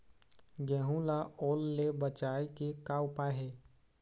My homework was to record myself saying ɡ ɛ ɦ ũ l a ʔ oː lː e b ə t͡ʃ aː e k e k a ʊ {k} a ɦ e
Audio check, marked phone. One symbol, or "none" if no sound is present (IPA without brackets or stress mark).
p